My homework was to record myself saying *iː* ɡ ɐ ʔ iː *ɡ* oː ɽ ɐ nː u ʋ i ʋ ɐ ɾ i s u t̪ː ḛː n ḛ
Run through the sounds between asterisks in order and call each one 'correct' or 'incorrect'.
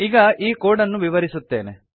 incorrect, incorrect

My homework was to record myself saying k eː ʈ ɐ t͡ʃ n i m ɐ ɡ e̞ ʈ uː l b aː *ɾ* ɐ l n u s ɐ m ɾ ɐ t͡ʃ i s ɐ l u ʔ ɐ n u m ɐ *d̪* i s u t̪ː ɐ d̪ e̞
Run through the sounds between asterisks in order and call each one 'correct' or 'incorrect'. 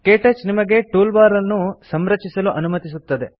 correct, incorrect

